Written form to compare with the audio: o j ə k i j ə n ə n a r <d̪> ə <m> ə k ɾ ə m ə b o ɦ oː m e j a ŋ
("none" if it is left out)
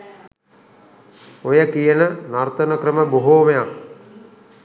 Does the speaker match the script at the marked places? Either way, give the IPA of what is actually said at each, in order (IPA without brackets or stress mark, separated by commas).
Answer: t̪, n